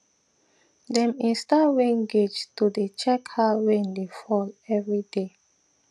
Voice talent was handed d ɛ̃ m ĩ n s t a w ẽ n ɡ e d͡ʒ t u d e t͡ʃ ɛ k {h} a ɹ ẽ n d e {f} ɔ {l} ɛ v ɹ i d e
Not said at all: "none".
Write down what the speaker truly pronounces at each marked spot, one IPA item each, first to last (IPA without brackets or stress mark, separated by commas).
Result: h, f, l